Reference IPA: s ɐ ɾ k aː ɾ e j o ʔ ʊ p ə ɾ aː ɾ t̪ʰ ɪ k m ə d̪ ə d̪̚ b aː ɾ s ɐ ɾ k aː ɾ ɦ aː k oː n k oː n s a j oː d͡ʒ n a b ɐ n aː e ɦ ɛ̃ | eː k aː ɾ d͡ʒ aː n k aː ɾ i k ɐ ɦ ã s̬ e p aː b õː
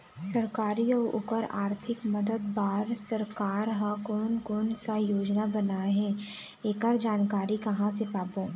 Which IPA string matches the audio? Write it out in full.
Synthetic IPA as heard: s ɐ ɾ k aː ɾ i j o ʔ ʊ p ə ɾ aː ɾ t̪ʰ ɪ k m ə d̪ ə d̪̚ b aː ɾ s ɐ ɾ k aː ɾ ɦ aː k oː n k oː n s a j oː d͡ʒ n a b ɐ n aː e ɦ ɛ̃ | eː k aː ɾ d͡ʒ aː n k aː ɾ i k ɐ ɦ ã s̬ e p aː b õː